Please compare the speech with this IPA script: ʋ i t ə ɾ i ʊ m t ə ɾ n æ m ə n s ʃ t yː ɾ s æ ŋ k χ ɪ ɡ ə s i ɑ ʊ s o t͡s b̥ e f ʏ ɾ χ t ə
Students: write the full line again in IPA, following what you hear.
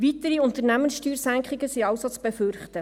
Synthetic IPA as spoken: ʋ i t ə ɾ i ʊ n t ə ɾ n æ m ə n s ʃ t yː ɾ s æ ŋ k χ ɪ ɡ ə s i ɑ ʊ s o t͡s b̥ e f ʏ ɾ χ t ə